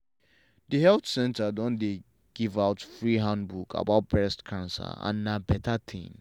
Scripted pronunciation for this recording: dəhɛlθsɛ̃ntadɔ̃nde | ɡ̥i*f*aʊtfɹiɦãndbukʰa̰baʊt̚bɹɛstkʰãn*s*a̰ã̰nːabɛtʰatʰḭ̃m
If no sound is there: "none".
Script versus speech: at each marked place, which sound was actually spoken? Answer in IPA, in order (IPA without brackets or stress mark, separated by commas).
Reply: v, s